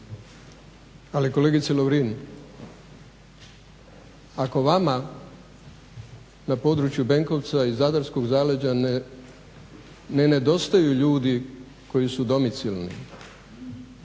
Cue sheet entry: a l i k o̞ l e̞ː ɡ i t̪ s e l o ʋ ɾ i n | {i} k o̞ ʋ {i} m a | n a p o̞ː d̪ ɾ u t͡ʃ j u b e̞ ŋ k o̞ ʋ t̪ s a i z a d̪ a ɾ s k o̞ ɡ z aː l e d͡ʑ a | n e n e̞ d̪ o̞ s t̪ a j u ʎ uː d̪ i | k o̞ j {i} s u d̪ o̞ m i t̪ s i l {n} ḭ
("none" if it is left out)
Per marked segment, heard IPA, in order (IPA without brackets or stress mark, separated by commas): a, a, i, n